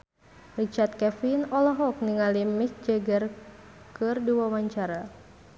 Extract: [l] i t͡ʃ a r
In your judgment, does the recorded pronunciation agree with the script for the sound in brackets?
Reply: no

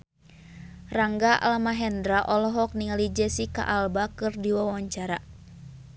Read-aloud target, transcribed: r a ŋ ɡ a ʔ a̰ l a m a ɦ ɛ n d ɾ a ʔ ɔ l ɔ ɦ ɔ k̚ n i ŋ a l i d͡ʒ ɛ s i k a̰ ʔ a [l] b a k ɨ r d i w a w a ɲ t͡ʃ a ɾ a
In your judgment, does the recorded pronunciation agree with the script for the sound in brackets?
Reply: yes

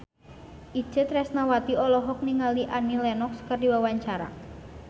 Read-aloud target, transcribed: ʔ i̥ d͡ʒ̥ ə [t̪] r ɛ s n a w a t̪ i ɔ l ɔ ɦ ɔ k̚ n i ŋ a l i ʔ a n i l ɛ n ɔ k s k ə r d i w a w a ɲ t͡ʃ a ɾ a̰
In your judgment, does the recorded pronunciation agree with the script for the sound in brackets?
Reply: yes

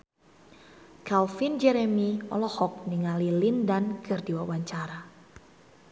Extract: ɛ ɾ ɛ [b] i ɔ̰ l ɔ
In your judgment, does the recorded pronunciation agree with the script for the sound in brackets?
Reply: no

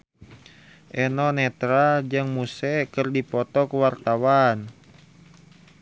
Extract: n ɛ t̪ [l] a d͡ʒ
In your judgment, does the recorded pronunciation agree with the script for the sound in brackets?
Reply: no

